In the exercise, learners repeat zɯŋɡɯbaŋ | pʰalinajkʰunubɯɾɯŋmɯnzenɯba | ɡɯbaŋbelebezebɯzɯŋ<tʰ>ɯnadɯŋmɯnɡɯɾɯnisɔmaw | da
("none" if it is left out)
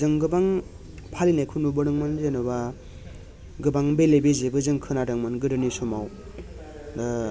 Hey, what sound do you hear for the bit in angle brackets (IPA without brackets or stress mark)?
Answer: kʰ